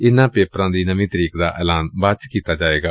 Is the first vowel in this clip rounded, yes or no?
no